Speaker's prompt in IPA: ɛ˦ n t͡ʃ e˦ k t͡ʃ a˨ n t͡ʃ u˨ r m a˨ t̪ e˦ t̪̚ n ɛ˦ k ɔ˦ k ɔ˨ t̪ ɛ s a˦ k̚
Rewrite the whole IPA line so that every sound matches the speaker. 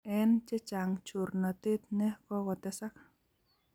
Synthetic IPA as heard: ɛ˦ n t͡ʃ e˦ t͡ʃ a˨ ŋ t͡ʃ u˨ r n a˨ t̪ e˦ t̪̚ n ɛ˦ k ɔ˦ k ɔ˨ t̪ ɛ s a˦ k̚